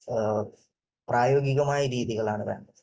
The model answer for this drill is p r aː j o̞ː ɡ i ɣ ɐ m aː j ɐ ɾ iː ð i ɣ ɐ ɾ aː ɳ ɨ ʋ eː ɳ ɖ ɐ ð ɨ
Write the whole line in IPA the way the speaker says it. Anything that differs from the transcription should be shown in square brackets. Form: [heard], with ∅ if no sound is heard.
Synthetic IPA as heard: p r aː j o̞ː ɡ i ɣ ɐ m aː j ɐ ɾ iː ð i ɣ ɐ [ɭ] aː ɳ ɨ ʋ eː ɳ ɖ ɐ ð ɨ

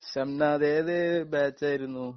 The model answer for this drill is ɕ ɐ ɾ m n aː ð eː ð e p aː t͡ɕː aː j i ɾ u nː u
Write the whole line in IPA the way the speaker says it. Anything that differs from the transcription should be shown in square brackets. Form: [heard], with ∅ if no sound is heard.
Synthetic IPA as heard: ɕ ɐ [∅] m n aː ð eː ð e [b] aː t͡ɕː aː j i ɾ u nː u

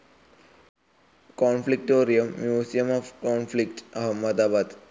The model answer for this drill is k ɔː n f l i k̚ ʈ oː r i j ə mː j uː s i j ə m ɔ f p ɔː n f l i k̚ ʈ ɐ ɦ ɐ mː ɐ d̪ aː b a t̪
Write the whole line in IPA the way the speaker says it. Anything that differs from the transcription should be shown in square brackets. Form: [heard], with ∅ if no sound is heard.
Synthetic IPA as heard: k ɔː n f l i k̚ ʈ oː [ɾ] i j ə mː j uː s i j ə m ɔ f [k] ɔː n f l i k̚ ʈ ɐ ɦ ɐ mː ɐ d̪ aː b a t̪

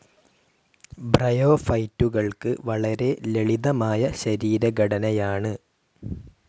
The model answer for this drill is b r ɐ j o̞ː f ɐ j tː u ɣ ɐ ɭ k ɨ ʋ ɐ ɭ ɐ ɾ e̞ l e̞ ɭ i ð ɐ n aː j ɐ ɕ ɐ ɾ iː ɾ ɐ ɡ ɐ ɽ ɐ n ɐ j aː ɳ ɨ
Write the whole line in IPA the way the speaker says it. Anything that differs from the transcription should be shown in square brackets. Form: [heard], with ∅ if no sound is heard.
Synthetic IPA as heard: b r ɐ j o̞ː f ɐ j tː u ɣ ɐ ɭ k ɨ ʋ ɐ ɭ ɐ ɾ e̞ l e̞ ɭ i ð ɐ [m] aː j ɐ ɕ ɐ ɾ iː ɾ ɐ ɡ ɐ ɽ ɐ n ɐ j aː ɳ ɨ

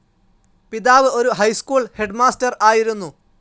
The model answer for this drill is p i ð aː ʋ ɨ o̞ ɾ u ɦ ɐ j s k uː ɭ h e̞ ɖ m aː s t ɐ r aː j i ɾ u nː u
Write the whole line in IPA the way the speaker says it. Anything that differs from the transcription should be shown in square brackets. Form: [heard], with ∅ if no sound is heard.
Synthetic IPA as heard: p i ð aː ʋ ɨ o̞ ɾ u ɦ ɐ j s k uː ɭ h e̞ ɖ m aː s t ɐ r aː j i ɾ u nː u

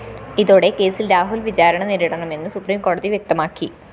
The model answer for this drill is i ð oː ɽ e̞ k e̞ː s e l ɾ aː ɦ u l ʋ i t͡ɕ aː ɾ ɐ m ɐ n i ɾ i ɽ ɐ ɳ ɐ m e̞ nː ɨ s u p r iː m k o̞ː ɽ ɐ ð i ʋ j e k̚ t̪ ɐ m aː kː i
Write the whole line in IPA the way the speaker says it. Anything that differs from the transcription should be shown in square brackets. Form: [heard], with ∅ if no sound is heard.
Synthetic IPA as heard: i ð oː ɽ e̞ k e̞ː s [i] l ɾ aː ɦ u l ʋ i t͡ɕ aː ɾ ɐ [ɳ] ɐ n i ɾ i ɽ ɐ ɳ ɐ m e̞ nː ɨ s u p r iː m k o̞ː ɽ ɐ ð i ʋ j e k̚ t̪ ɐ m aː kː i

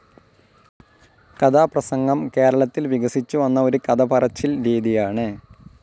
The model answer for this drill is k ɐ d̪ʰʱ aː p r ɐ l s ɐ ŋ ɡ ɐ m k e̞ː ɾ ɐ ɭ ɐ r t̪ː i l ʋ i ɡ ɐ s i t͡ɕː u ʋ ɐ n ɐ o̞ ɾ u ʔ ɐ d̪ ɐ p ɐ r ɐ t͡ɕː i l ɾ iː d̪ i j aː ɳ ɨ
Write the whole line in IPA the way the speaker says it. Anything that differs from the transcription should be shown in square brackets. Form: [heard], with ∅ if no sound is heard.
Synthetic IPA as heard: k ɐ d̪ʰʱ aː p r ɐ [∅] s ɐ ŋ ɡ ɐ m k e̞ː ɾ ɐ ɭ ɐ [∅] t̪ː i l ʋ i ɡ ɐ s i t͡ɕː u ʋ ɐ [nː] ɐ o̞ ɾ u [k] ɐ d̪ ɐ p ɐ r ɐ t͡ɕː i l ɾ iː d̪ i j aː ɳ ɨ

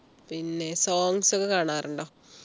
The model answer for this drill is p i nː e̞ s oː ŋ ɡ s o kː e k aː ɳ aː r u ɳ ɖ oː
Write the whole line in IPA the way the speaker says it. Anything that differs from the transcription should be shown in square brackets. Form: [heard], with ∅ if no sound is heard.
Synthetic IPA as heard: p i nː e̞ s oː ŋ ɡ s o kː e k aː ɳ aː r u ɳ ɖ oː

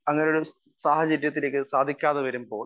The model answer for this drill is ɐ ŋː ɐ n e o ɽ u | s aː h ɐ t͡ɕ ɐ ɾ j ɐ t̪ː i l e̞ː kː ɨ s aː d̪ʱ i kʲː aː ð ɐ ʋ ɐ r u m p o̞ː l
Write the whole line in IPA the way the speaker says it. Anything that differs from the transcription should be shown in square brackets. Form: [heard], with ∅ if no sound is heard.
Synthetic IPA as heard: ɐ ŋː ɐ n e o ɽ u | s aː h ɐ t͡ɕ ɐ ɾ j ɐ t̪ː i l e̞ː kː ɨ s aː d̪ʱ i kʲː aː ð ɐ ʋ ɐ [ɾ] u m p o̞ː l

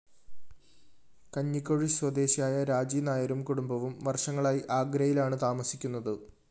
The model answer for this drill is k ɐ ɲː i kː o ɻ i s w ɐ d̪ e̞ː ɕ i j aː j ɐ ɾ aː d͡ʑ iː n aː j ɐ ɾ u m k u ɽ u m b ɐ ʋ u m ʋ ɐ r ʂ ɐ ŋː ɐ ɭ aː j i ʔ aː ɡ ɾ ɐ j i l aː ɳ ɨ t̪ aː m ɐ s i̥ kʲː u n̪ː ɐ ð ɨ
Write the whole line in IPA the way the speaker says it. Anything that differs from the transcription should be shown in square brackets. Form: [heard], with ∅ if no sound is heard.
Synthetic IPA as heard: k ɐ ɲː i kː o ɻ i s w ɐ d̪ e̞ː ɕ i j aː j ɐ ɾ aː d͡ʑ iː n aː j ɐ ɾ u m k u ɽ u m b ɐ ʋ u m ʋ ɐ r ʂ ɐ ŋː ɐ ɭ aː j i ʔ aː ɡ ɾ ɐ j i l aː ɳ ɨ t̪ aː m ɐ s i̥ kʲː u n̪ː ɐ ð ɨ

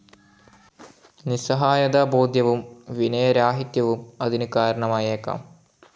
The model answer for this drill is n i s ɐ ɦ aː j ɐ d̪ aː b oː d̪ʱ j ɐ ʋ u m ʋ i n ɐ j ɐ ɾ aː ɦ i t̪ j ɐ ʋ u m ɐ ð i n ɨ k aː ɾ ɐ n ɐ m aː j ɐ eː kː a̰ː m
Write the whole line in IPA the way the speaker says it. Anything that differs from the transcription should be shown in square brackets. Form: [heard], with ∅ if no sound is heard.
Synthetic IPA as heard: n i s ɐ ɦ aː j ɐ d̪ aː b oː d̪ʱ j ɐ ʋ u m ʋ i n ɐ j ɐ ɾ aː ɦ i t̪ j ɐ ʋ u m ɐ ð i n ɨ k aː ɾ ɐ [ɳ] ɐ m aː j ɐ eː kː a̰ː m

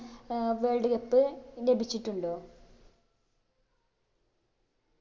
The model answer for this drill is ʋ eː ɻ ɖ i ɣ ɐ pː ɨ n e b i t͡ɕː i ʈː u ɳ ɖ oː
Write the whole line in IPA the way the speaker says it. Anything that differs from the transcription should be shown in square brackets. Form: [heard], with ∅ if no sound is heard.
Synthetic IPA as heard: ʋ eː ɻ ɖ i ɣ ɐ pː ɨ n e b i t͡ɕː i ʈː u ɳ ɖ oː

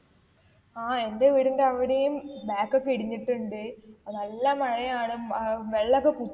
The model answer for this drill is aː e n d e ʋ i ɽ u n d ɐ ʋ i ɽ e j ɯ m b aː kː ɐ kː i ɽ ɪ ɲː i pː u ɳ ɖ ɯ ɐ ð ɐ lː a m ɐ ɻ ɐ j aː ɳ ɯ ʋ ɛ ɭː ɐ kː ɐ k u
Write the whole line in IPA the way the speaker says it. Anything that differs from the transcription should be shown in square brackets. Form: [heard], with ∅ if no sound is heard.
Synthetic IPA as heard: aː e n d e ʋ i ɽ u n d ɐ ʋ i ɽ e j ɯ m b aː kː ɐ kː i ɽ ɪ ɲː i [ʈː] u ɳ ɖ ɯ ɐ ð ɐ lː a m ɐ ɻ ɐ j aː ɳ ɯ ʋ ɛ ɭː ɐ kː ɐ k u

